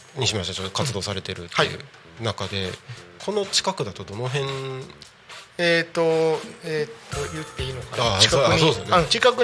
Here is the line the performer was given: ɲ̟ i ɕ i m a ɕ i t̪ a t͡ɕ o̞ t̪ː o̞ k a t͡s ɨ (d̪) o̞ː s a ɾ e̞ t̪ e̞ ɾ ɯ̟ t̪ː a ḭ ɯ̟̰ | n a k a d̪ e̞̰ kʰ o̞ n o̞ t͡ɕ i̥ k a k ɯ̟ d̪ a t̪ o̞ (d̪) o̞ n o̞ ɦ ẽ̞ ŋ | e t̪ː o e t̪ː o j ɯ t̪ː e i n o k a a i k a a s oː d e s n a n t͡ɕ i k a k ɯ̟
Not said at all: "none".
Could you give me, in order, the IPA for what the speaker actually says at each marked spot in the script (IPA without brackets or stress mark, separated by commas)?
d̪, d̪